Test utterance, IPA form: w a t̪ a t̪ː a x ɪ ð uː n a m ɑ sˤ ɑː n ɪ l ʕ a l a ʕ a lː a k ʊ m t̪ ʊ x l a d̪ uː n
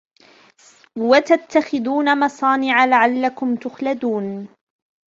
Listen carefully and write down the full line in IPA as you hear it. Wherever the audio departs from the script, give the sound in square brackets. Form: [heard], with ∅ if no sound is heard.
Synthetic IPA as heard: w a t̪ a t̪ː a x ɪ ð uː n a m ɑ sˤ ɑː n ɪ [∅] ʕ a l a ʕ a lː a k ʊ m t̪ ʊ x l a d̪ uː n

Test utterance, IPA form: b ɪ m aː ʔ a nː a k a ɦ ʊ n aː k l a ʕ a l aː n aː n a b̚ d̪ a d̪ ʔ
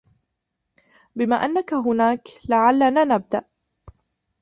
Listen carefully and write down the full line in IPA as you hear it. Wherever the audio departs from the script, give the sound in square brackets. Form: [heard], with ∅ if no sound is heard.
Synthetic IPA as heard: b ɪ m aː ʔ a nː a k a ɦ ʊ n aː k l a ʕ a [lː] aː n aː n a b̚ d̪ a [∅] ʔ

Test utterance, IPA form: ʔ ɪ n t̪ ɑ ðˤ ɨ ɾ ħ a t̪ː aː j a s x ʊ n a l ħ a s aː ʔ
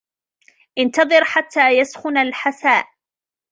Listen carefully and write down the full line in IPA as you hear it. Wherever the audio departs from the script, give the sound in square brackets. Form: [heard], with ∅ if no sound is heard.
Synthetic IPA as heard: ʔ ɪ n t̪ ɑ ðˤ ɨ ɾ ħ a t̪ː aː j a s x ʊ n a l ħ a s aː ʔ

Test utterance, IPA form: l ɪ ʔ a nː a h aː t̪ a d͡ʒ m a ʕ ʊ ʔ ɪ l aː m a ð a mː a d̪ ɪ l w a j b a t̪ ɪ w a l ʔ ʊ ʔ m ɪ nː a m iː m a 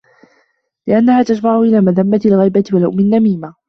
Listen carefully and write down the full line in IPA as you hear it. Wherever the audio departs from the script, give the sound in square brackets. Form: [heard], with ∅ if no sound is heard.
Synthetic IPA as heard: l ɪ ʔ a nː a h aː t̪ a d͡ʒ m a ʕ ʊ ʔ ɪ l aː m a ð a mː a [t̪] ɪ l [ɣ] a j b a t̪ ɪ w a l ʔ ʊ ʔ m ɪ nː a m iː m a

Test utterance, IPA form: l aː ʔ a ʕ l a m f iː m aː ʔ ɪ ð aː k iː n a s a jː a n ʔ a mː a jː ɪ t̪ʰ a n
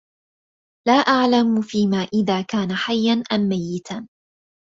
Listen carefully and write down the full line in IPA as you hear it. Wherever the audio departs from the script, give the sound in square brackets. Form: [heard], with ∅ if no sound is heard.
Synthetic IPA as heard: l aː ʔ a ʕ l a m f iː m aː ʔ ɪ ð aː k [aː] n a [ħ] a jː a n ʔ a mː a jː ɪ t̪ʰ a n

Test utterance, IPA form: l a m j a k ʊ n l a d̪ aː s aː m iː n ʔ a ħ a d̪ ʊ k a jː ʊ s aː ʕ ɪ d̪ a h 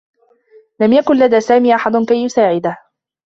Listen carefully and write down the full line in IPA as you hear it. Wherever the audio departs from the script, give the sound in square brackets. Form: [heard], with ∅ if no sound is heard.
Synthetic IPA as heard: l a m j a k ʊ n l a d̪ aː s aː m iː [∅] ʔ a ħ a d̪ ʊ k a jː ʊ s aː ʕ ɪ d̪ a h

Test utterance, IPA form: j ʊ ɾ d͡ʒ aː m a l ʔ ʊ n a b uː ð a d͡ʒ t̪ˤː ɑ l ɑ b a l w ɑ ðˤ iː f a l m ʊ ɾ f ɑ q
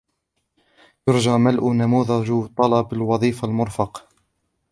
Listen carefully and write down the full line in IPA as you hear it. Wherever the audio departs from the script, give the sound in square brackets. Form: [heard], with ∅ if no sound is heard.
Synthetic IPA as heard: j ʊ ɾ d͡ʒ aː m a l ʔ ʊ n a [m] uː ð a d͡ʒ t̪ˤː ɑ l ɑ b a l w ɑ ðˤ iː f a l m ʊ ɾ f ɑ q

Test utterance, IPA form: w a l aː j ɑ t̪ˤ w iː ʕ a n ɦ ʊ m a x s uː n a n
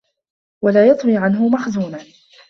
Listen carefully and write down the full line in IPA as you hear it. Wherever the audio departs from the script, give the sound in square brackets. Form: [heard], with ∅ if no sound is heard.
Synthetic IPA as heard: w a l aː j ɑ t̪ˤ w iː ʕ a n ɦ ʊ m a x [z] uː n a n

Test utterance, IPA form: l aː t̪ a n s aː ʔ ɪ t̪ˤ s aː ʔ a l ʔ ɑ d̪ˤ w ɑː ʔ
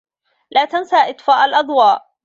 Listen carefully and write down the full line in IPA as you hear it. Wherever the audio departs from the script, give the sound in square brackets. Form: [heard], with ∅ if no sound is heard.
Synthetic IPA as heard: l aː t̪ a n s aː ʔ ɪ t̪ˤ [f] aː ʔ a l ʔ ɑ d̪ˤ w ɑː ʔ

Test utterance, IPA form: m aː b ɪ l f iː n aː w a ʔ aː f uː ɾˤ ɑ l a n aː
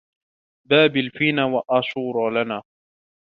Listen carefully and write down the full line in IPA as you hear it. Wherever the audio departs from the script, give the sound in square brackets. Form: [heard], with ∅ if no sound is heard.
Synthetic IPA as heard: [b] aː b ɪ l f iː n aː w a ʔ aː [ʃ] uː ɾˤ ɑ l a n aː

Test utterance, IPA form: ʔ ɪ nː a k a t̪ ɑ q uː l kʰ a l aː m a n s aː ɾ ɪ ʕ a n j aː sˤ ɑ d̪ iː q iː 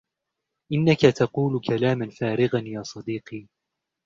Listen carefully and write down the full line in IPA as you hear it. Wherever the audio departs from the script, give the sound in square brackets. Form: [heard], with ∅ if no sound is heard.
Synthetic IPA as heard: ʔ ɪ nː a k a t̪ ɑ q uː l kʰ a l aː m a n [f] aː ɾ ɪ [ɣ] a n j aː sˤ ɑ d̪ iː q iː

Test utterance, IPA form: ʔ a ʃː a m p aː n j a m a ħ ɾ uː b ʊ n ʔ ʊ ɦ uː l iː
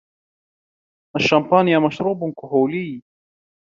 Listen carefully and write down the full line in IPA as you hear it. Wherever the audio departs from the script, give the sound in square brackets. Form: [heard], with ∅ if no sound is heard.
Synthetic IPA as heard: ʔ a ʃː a m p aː n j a m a [ʃ] ɾ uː b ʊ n [k] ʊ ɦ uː l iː

